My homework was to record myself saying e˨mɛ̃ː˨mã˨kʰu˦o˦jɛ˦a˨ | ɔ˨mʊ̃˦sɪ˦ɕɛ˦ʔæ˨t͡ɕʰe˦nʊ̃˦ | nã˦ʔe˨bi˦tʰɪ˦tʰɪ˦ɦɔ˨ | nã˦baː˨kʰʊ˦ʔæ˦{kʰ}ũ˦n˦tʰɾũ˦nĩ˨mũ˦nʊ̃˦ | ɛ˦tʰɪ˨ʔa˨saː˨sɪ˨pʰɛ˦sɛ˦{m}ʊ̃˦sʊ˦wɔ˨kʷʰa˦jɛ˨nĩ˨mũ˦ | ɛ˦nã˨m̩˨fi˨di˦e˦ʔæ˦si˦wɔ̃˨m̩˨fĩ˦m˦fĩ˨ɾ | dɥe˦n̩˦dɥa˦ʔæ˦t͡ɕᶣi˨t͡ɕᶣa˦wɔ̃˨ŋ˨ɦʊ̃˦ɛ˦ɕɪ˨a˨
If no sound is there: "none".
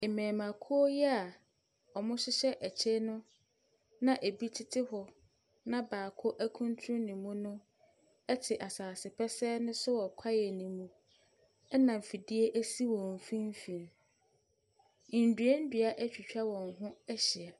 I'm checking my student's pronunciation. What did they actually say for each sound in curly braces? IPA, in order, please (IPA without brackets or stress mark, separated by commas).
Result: kʰ, n